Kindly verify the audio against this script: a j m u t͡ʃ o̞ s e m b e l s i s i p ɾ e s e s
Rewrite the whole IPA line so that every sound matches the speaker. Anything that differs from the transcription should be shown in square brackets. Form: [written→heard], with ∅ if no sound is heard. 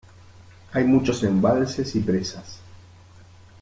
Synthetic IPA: a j m u t͡ʃ o̞ s e m b [e→a] l s [i→e] s i p ɾ e s [e→a] s